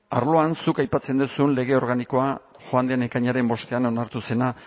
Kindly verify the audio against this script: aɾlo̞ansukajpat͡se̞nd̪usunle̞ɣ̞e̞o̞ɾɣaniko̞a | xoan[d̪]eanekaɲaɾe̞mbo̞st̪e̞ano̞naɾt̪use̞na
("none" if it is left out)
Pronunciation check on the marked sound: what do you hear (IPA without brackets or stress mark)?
d̪